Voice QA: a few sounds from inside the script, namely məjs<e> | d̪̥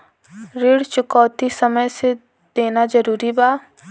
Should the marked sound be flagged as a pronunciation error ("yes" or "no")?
no